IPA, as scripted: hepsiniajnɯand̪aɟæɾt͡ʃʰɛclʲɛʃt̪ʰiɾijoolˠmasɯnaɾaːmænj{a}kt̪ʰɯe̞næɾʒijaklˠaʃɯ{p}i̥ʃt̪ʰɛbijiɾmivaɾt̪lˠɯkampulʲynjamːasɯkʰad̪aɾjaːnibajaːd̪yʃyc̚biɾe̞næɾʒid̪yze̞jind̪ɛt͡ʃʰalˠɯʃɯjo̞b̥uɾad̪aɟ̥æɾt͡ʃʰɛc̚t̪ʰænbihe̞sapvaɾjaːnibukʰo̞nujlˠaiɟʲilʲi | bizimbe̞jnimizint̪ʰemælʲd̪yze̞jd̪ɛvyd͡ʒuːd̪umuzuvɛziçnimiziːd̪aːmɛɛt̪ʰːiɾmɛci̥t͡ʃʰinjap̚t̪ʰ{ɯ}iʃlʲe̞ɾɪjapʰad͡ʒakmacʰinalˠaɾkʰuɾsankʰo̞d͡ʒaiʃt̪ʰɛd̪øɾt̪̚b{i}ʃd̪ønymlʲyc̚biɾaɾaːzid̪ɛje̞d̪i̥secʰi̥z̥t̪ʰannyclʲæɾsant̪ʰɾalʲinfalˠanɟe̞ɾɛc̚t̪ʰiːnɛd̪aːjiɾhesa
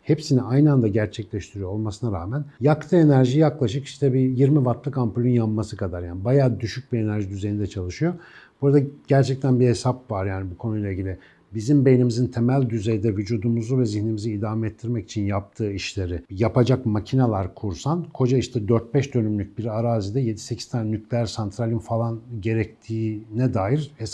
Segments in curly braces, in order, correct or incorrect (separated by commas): correct, incorrect, incorrect, incorrect